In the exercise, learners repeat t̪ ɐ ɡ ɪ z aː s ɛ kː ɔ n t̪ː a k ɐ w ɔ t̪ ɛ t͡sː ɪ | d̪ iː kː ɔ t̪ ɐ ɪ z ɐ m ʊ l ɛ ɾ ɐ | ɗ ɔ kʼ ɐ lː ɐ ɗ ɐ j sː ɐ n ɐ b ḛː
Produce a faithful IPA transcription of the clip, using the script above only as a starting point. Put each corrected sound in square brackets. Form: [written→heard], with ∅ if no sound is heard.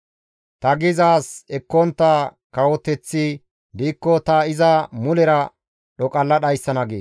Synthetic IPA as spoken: t̪ ɐ ɡ ɪ z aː s ɛ kː ɔ n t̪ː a k ɐ w ɔ t̪ ɛ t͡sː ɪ | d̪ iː kː ɔ t̪ ɐ ɪ z ɐ m ʊ l ɛ ɾ ɐ | ɗ ɔ kʼ ɐ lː ɐ ɗ ɐ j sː ɐ n ɐ [b→ɡ] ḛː

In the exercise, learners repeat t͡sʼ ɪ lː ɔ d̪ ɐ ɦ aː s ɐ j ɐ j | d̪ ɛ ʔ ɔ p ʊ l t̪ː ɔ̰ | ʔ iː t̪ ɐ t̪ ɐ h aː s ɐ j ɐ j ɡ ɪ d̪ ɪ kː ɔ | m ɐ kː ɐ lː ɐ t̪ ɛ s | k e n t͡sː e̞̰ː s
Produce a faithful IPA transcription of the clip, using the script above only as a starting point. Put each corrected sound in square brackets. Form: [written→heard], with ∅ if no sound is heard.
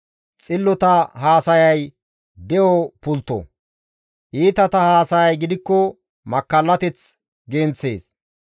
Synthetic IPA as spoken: t͡sʼ ɪ lː ɔ [d̪→t̪] ɐ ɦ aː s ɐ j ɐ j | d̪ ɛ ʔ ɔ p ʊ l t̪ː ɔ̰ | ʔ iː t̪ ɐ t̪ ɐ h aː s ɐ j ɐ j ɡ ɪ d̪ ɪ kː ɔ | m ɐ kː ɐ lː ɐ t̪ ɛ [s→t͡s] | [k→ɡ] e n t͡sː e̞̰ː s

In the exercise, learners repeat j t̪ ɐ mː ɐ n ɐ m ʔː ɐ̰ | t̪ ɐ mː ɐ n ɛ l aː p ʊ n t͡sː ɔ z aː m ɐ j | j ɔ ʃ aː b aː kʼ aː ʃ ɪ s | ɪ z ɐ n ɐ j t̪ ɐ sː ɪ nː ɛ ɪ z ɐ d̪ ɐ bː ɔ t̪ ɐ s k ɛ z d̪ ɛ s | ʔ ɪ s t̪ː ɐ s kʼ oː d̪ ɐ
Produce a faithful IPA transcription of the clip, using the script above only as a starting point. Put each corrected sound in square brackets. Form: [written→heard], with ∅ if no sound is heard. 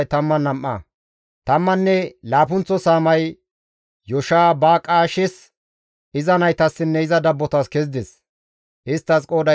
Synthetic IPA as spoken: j t̪ ɐ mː ɐ n ɐ m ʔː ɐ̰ | t̪ ɐ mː ɐ [n→nː] ɛ l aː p ʊ n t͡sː ɔ [z→s] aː m ɐ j | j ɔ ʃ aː b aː kʼ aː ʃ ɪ s | ɪ z ɐ n ɐ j t̪ ɐ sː ɪ nː ɛ ɪ z ɐ d̪ ɐ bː ɔ t̪ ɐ s k ɛ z d̪ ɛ s | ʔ ɪ s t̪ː ɐ s kʼ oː d̪ ɐ

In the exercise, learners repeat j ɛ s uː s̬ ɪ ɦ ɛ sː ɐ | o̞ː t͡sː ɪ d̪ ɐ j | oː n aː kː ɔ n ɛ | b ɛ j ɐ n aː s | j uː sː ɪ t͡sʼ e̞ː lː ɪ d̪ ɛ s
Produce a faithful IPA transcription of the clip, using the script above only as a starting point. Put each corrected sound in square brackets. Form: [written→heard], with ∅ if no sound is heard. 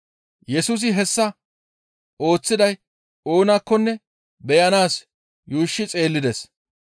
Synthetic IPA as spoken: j ɛ s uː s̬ ɪ ɦ ɛ sː ɐ | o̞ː t͡sː ɪ d̪ ɐ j | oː n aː kː ɔ [n→nː] ɛ | b ɛ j ɐ n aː s | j uː [sː→ʃː] ɪ t͡sʼ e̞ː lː ɪ d̪ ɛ s

